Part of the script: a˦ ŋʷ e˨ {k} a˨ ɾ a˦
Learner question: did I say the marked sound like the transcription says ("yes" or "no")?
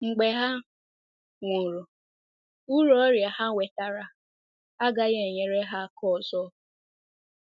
no